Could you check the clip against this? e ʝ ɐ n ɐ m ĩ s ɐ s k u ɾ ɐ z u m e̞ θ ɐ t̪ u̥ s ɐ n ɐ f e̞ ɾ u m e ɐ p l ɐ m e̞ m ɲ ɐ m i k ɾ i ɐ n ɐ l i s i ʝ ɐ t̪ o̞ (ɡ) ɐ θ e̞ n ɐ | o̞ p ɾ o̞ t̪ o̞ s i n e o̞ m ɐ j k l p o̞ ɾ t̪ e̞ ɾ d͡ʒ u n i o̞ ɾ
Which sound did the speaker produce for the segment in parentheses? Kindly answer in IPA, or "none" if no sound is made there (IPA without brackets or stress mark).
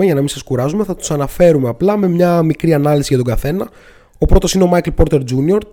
ɡ